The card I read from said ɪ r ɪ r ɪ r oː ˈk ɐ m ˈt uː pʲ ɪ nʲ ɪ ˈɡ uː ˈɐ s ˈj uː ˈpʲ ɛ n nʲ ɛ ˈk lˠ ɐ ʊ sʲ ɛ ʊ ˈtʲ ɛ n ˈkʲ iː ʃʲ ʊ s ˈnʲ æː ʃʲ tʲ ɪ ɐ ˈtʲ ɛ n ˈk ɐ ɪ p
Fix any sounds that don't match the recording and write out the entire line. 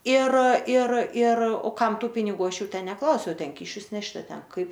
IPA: ɪ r ɪ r ɪ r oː ˈk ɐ m ˈt uː pʲ ɪ nʲ ɪ ˈɡ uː ˈɐ ʃ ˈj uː ˈtʲ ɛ n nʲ ɛ ˈk lˠ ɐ ʊ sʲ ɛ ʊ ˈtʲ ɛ n ˈkʲ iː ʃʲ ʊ s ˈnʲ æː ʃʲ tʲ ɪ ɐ ˈtʲ ɛ n ˈk ɐ ɪ p